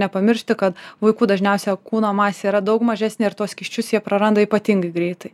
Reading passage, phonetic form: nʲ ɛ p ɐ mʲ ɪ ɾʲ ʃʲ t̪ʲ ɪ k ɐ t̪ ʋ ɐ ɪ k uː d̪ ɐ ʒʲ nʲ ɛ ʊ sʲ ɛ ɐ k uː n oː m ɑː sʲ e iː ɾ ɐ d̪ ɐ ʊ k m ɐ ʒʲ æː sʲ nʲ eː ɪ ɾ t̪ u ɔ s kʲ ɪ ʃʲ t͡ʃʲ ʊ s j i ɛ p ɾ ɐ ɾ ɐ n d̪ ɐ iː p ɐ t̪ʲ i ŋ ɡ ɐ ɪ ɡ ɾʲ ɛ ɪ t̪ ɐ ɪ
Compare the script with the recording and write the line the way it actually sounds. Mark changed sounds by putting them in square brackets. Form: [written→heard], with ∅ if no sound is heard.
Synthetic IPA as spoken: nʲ ɛ p ɐ mʲ ɪ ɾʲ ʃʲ t̪ʲ ɪ k ɐ t̪ ʋ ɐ ɪ k uː d̪ ɐ ʒʲ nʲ ɛ ʊ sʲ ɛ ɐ k uː n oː m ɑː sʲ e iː ɾ ɐ d̪ ɐ ʊ k m ɐ ʒʲ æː sʲ nʲ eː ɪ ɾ t̪ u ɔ s kʲ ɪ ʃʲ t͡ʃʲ ʊ s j i ɛ p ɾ ɐ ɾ ɐ n d̪ ɐ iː p ɐ t̪ʲ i ŋ ɡ ɐ ɪ ɡ ɾʲ ɛ ɪ t̪ ɐ ɪ